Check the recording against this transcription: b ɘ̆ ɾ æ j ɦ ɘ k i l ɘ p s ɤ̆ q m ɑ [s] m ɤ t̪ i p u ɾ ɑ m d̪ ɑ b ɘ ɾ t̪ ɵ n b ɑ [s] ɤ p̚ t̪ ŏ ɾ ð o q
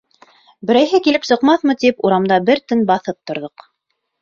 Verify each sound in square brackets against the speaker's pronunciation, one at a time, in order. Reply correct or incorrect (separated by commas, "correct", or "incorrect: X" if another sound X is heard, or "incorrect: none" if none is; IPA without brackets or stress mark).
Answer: incorrect: θ, incorrect: θ